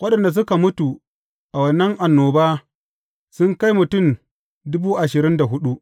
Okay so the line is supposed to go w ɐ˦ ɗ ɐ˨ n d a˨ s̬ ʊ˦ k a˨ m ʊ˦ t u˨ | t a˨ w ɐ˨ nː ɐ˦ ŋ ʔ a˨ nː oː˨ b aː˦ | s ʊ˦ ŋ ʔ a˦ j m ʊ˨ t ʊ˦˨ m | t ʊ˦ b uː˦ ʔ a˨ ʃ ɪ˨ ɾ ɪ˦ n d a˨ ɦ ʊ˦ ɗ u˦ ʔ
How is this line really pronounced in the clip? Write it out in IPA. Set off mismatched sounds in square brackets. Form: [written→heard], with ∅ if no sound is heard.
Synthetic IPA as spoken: w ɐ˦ ɗ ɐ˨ n d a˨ s̬ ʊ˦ k a˨ m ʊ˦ t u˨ | [t→ʔ] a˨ w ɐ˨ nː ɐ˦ ŋ ʔ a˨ nː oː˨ b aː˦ | s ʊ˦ ŋ [ʔ→k] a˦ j m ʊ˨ t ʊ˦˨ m | [t→d] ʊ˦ b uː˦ ʔ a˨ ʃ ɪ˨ ɾ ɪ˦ n d a˨ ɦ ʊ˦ ɗ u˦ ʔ